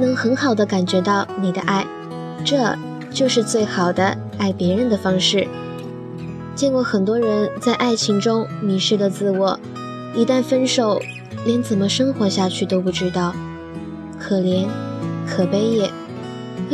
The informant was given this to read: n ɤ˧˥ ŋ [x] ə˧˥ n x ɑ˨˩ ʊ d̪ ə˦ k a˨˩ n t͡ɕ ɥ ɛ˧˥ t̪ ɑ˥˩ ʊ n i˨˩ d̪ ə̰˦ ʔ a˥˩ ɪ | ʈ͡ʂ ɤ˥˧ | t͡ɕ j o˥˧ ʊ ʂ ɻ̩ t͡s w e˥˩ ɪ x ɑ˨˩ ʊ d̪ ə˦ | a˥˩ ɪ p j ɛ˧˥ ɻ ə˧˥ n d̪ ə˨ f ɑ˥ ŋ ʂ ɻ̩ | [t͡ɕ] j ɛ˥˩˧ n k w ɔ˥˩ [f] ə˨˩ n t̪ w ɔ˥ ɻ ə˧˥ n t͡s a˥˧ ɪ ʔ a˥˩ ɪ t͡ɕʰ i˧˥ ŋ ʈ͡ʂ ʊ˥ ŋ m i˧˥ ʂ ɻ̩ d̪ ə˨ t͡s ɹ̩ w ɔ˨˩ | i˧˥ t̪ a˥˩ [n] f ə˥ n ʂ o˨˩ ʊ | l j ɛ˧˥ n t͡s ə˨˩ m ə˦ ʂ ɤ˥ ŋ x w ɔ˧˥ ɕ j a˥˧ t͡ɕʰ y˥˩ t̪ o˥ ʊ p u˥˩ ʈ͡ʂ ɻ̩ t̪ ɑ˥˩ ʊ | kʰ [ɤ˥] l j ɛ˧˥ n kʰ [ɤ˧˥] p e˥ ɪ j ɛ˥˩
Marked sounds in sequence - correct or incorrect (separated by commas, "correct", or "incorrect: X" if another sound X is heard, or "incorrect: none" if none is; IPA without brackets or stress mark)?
correct, correct, incorrect: x, correct, incorrect: ɤ˨˩, incorrect: ɤ˨˩